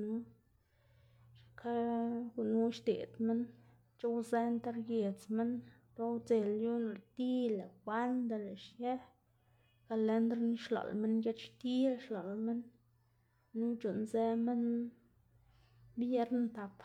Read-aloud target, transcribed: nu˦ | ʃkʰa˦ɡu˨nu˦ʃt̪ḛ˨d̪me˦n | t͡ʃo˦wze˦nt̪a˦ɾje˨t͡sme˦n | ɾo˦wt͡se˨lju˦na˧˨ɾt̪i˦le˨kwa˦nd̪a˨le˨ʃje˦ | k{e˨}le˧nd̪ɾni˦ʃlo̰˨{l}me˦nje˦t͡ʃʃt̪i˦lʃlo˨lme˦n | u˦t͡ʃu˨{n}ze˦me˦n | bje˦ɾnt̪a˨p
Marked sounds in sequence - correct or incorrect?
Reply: incorrect, correct, correct

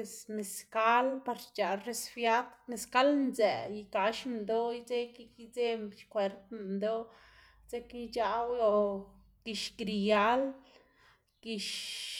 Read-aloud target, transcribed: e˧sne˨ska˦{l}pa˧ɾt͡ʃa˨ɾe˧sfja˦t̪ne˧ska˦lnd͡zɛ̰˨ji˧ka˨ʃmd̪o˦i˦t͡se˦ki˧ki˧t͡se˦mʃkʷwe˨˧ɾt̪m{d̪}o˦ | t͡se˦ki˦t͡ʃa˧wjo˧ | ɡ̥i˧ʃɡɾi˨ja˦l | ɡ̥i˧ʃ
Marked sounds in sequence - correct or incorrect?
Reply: correct, correct

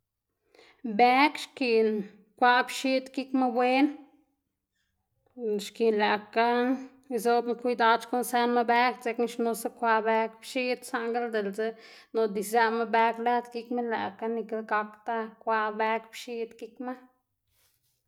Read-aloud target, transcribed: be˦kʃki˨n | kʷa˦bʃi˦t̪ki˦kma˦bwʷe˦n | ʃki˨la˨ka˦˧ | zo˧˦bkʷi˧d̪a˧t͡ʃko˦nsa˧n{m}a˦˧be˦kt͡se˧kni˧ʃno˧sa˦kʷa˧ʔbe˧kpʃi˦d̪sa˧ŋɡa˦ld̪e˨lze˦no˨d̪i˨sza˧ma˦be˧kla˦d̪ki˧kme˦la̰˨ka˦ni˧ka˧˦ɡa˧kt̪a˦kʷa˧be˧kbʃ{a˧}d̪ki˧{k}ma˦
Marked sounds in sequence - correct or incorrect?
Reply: correct, incorrect, correct

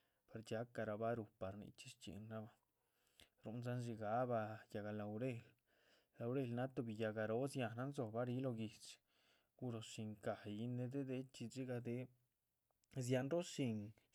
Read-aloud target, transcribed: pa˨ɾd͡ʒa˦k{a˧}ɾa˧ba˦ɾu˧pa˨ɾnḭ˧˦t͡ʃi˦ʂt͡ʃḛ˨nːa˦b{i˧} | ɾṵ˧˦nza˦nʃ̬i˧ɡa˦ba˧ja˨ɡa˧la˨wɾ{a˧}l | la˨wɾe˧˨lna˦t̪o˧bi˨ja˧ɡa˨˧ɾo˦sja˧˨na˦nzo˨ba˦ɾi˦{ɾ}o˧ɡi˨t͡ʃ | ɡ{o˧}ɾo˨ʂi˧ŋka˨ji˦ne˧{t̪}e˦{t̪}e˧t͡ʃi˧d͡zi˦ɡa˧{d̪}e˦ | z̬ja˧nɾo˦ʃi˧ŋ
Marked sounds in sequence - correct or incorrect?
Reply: correct, incorrect, incorrect, incorrect, incorrect, incorrect, incorrect, correct

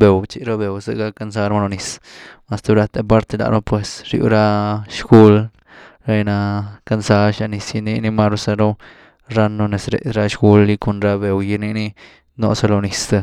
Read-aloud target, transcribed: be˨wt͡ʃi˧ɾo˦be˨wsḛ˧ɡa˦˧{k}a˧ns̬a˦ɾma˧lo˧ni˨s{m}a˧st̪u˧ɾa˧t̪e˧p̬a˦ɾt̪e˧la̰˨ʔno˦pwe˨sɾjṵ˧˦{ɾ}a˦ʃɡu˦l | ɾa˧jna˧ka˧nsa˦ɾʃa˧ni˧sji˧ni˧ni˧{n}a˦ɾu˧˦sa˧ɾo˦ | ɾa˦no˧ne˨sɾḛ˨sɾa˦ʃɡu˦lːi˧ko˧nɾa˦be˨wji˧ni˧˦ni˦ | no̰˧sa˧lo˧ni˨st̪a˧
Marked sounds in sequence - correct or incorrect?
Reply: correct, correct, correct, incorrect

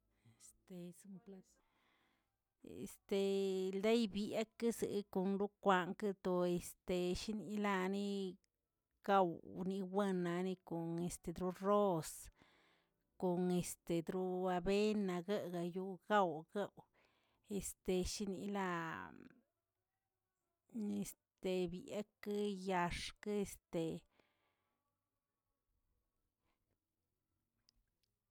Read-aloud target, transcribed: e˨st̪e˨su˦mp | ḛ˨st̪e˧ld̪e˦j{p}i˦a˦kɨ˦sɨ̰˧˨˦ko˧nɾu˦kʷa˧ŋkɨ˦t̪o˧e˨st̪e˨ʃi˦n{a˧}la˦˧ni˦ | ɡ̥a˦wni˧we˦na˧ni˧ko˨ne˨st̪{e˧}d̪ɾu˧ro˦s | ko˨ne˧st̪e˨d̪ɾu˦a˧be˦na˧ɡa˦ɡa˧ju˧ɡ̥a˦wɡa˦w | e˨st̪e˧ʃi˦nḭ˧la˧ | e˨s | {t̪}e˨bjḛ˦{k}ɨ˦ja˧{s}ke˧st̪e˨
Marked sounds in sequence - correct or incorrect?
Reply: incorrect, incorrect, correct, correct, correct, incorrect

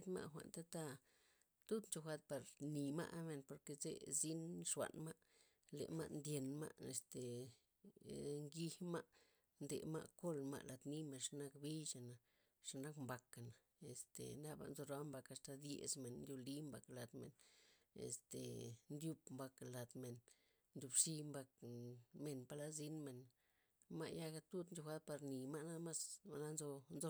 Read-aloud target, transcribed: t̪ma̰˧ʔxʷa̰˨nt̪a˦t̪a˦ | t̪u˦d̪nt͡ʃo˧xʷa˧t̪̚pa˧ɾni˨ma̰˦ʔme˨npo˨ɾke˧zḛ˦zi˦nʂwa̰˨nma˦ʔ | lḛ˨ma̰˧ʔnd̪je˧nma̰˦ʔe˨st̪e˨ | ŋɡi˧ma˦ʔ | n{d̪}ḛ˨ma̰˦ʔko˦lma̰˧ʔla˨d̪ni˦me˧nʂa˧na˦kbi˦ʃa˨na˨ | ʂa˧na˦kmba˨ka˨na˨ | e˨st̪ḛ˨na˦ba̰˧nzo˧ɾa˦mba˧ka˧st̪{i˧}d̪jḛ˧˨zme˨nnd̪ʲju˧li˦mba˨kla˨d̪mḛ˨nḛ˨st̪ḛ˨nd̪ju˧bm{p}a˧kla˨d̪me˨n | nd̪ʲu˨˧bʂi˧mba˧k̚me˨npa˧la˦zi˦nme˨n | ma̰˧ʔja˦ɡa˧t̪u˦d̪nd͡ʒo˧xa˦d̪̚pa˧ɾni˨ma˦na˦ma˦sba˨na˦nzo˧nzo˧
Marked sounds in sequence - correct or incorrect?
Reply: correct, incorrect, incorrect

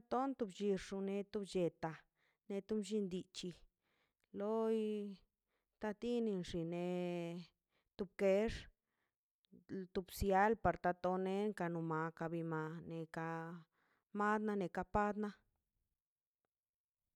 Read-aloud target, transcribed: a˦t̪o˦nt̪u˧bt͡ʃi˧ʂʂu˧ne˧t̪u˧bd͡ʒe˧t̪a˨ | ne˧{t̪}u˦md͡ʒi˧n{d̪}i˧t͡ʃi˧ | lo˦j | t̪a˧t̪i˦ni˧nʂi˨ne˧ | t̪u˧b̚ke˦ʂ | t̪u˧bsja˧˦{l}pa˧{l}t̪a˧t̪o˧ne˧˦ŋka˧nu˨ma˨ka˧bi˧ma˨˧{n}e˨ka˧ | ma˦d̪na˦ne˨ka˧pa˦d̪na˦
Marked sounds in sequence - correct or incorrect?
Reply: correct, correct, correct, incorrect, correct

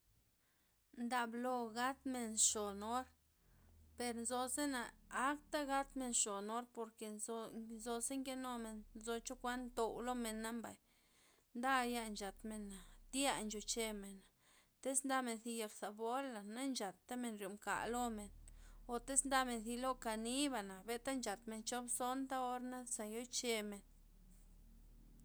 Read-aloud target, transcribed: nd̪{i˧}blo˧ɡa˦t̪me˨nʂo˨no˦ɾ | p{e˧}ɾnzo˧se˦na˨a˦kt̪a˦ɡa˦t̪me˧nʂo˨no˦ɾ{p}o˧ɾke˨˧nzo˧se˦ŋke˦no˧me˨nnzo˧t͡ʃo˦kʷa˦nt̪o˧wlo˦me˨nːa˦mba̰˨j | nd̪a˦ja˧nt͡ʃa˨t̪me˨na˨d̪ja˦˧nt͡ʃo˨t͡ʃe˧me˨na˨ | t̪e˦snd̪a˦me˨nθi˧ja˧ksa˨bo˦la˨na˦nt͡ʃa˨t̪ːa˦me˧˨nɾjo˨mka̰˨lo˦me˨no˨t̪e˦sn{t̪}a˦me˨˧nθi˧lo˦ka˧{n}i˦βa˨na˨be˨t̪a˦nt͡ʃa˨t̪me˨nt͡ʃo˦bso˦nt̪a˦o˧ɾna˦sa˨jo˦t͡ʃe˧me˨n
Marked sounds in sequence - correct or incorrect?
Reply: incorrect, correct, correct, incorrect, correct

